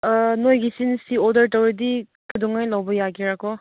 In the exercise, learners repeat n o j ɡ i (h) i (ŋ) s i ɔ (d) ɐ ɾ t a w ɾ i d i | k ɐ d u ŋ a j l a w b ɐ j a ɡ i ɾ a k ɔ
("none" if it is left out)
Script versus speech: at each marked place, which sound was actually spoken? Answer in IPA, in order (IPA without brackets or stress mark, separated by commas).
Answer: s, n, d